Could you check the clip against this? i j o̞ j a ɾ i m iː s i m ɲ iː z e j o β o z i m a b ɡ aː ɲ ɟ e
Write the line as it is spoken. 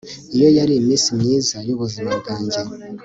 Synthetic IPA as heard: i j o̞ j a ɾ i m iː s i m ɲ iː z a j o β u z i m a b ɡ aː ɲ ɟ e